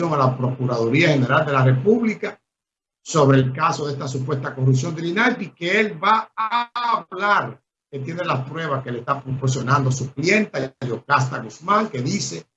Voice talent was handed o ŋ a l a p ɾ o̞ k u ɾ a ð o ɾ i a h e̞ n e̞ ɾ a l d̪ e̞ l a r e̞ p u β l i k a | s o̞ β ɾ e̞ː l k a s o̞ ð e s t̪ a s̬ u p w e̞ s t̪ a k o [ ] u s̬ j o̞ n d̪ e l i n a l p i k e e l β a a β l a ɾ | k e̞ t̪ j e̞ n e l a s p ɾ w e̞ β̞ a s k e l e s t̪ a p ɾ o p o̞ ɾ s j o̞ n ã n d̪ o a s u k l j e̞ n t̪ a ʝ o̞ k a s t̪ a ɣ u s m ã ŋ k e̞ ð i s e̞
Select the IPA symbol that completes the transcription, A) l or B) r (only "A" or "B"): B